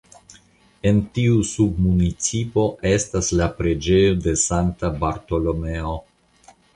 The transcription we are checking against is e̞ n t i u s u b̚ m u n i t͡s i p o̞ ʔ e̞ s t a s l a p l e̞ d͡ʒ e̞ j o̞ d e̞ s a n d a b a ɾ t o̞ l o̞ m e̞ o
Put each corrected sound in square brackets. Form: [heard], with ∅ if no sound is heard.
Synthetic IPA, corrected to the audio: e̞ n t i u s u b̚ m u n i t͡s i p o̞ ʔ e̞ s t a s l a p [ɾ] e̞ d͡ʒ e̞ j o̞ d e̞ s a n [t] a b a ɾ t o̞ l o̞ m e̞ o

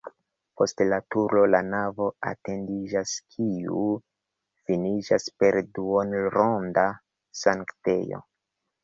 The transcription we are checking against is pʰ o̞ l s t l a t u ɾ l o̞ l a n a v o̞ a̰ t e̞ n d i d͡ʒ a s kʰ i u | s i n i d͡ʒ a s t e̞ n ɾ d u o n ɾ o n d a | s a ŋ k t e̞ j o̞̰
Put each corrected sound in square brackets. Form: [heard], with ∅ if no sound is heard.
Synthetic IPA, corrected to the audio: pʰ o̞ [∅] s t l a t u ɾ l o̞ l a n a v o̞ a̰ t e̞ n d i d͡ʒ a s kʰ i u | [f] i n i d͡ʒ a s [p] e̞ [∅] ɾ d u o n ɾ o n d a | s a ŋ k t e̞ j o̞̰

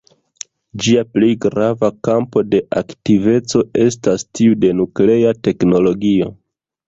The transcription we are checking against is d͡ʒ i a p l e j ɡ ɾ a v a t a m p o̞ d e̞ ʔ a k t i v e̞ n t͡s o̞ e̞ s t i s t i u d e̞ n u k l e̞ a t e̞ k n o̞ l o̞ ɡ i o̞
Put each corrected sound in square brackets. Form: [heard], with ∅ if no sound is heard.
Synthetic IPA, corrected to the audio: d͡ʒ i a p l e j ɡ ɾ a v a [k] a m p o̞ d e̞ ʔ a k t i v e̞ [∅] t͡s o̞ e̞ s t [a] s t i u d e̞ n u k l e̞ a t e̞ k n o̞ l o̞ ɡ i o̞

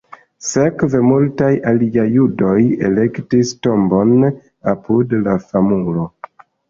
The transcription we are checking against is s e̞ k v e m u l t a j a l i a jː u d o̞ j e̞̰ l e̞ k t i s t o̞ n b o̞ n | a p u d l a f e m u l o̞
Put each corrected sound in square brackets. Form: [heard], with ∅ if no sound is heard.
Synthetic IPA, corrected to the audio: s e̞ k v e m u l t a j a l i a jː u d o̞ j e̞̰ l e̞ k t i s t o̞ [m] b o̞ n | a p u d l a f [a] m u l o̞

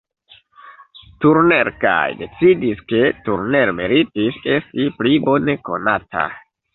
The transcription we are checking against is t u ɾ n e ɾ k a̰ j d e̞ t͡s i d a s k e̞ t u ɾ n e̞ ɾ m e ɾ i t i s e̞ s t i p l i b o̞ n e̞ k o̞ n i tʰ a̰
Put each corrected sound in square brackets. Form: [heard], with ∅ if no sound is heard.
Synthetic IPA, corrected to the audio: t u ɾ n e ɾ k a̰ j d e̞ t͡s i d [i] s k e̞ t u ɾ n e̞ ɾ m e ɾ i t i s e̞ s t i p l i b o̞ n e̞ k o̞ n [a] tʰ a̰

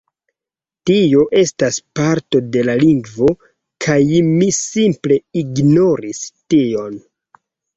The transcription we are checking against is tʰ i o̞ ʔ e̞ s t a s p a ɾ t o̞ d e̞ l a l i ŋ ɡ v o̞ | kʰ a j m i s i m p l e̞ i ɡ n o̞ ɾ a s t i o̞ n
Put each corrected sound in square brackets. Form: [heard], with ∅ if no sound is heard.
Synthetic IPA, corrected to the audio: [t] i o̞ ʔ e̞ s t a s p a ɾ t o̞ d e̞ l a l i ŋ ɡ v o̞ | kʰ a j m i s i m p l e̞ i ɡ n o̞ ɾ [i] s t i o̞ n

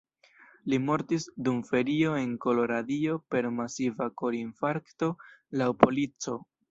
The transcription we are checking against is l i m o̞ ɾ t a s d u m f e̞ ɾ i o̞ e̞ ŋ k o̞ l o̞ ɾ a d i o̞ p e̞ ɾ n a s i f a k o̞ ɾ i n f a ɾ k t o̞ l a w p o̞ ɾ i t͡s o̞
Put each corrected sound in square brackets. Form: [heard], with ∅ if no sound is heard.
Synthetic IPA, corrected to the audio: l i m o̞ ɾ t [i] s d u m f e̞ ɾ i o̞ e̞ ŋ k o̞ l o̞ ɾ a d i o̞ p e̞ ɾ [m] a s i [v] a k o̞ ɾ i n f a ɾ k t o̞ l a w p o̞ [l] i t͡s o̞

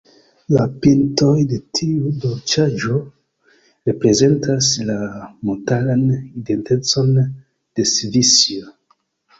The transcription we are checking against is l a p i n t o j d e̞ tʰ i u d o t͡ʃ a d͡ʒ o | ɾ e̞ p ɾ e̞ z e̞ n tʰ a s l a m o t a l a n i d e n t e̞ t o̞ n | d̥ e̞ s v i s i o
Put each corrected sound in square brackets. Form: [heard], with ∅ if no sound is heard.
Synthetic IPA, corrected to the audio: l a p i n t o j d e̞ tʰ i u d o t͡ʃ a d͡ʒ o | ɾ e̞ p ɾ e̞ z e̞ n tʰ a s l a m o t a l a n i d e n t e̞ [t͡s] o̞ n | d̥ e̞ s v i s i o

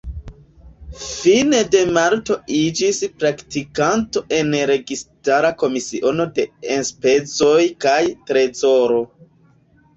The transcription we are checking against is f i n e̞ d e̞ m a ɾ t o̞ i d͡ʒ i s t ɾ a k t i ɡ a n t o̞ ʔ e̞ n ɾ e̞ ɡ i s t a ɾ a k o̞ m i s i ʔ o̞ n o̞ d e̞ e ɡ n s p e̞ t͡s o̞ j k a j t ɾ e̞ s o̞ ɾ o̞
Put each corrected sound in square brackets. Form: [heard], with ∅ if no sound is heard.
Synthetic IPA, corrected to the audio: f i n e̞ d e̞ m a ɾ t o̞ i d͡ʒ i s [p] ɾ a k t i [k] a n t o̞ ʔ e̞ n ɾ e̞ ɡ i s t a ɾ a k o̞ m i s i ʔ o̞ n o̞ d e̞ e [∅] n s p e̞ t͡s o̞ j k a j t ɾ e̞ [z] o̞ ɾ o̞

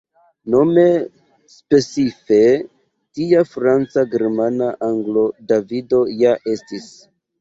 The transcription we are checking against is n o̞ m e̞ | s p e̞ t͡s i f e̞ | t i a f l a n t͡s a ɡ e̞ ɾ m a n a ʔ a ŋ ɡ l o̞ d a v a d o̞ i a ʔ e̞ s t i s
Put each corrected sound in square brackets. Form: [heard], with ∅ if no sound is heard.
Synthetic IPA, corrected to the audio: n o̞ m e̞ | s p e̞ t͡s i f e̞ | t i a f [ɾ] a n t͡s a ɡ e̞ ɾ m a n a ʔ a ŋ ɡ l o̞ d a v [i] d o̞ [j] a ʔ e̞ s t i s

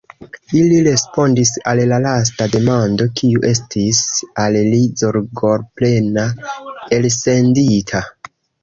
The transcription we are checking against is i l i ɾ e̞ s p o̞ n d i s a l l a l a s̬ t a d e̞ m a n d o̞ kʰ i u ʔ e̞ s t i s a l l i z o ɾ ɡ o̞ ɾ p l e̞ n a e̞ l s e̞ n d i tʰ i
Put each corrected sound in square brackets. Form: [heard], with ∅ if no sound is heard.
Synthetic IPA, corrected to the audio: i l i ɾ e̞ s p o̞ n d i s a l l a l a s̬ t a d e̞ m a n d o̞ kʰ i u ʔ e̞ s t i s a l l i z o ɾ ɡ o̞ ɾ p l e̞ n a e̞ l s e̞ n d i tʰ [a]

